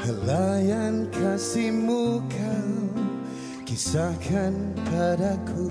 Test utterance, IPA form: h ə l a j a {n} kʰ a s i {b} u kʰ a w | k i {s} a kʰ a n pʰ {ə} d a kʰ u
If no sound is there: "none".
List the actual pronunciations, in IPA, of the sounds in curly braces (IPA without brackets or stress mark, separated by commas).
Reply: n, m, s, a